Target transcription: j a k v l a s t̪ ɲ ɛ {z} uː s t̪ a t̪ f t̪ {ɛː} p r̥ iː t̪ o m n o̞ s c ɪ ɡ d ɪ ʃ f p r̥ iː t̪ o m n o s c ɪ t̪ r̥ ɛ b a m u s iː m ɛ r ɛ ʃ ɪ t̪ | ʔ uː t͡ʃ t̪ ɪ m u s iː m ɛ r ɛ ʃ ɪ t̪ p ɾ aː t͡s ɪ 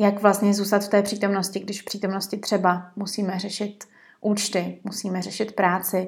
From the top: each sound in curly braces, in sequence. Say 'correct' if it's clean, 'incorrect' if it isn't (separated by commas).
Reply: correct, correct